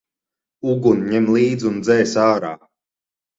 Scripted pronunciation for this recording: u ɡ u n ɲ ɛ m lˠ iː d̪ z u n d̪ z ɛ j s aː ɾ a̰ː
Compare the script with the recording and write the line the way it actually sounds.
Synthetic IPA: u ɡ u n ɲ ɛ m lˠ iː d̪ z u n d̪ z ɛ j s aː ɾ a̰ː